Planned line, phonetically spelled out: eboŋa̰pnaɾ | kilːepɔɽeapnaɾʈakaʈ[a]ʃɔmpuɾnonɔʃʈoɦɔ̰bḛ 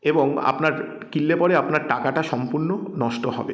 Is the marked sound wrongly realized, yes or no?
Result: no